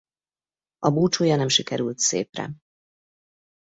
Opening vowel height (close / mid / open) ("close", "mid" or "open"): open